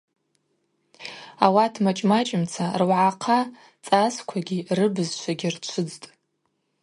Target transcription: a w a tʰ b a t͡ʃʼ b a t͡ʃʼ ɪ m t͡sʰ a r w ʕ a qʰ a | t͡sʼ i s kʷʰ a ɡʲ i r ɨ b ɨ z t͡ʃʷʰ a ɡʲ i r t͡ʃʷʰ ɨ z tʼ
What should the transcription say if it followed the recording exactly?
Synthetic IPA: a w a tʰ m a t͡ʃʼ m a t͡ʃʼ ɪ m t͡sʰ a r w ʕ a qʰ a | t͡sʼ a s kʷʰ a ɡʲ i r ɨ b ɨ z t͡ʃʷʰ a ɡʲ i r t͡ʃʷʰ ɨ d͡z tʼ